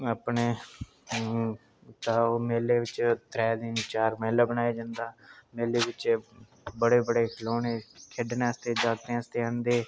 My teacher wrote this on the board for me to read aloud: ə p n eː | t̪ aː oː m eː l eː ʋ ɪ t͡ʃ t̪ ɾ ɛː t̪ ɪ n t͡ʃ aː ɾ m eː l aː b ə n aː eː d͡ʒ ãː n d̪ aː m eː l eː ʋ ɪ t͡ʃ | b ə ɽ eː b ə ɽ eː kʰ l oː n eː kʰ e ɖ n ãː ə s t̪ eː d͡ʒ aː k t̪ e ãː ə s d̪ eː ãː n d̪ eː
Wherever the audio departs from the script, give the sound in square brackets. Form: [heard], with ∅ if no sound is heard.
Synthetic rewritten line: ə p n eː | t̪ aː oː m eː l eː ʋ ɪ t͡ʃ t̪ ɾ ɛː [d̪] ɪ n t͡ʃ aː ɾ m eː l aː b ə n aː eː d͡ʒ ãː n d̪ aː m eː l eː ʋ ɪ t͡ʃ | b ə ɽ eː b ə ɽ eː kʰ l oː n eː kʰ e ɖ n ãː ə s t̪ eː d͡ʒ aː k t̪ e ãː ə s [t̪] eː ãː n d̪ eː